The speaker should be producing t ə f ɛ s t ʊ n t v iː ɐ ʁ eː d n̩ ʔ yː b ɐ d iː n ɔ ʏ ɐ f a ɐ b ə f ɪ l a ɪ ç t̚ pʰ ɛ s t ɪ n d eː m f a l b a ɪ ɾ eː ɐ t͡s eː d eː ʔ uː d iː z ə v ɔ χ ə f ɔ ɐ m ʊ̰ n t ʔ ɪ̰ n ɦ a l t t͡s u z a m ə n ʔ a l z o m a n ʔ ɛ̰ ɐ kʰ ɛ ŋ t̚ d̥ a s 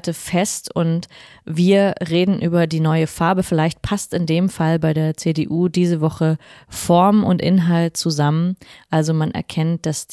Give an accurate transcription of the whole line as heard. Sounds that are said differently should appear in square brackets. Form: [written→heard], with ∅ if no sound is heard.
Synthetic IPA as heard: t ə f ɛ s t ʊ n t v iː ɐ ʁ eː d n̩ ʔ yː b ɐ d iː n ɔ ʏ [ɐ→ə] f a ɐ b ə f ɪ l a ɪ ç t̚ pʰ [ɛ→a] s t ɪ n d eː m f a l b a ɪ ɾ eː ɐ t͡s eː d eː ʔ uː d iː z ə v ɔ χ ə f ɔ ɐ m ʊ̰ n t ʔ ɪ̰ n ɦ a l t t͡s u z a m ə n ʔ a l z o m a n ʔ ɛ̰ ɐ kʰ ɛ [ŋ→n] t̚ d̥ a s